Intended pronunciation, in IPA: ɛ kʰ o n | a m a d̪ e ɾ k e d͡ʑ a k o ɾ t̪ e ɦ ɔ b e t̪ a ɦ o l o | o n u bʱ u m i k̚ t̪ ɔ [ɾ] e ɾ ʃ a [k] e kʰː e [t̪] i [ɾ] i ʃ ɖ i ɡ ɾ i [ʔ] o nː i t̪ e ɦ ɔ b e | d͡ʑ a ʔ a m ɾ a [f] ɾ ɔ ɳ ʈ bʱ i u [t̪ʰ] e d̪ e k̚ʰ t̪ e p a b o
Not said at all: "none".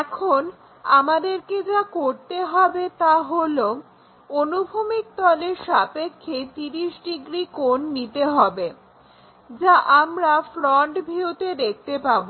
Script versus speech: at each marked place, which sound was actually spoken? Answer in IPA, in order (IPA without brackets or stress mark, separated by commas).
l, p, t̪, ɾ, k, f, t̪